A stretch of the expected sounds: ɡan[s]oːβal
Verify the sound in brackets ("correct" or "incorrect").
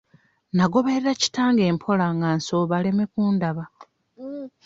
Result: correct